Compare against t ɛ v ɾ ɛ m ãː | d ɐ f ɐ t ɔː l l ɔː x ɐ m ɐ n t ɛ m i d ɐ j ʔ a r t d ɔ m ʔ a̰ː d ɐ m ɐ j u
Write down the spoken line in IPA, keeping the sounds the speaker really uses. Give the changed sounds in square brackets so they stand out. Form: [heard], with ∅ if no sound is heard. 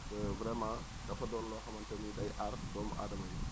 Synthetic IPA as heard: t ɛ v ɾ ɛ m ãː | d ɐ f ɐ [d] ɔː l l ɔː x ɐ m ɐ n t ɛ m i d ɐ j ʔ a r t d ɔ m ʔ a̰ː d ɐ m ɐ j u